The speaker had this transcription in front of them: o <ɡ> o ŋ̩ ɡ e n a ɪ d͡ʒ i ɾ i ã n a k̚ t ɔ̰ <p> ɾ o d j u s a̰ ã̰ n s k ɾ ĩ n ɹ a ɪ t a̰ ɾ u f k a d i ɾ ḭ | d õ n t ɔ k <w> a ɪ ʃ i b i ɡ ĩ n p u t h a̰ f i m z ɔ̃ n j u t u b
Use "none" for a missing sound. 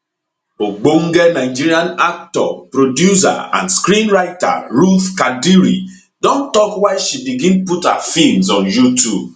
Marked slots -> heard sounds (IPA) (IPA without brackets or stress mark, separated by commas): ɡ͡b, p, w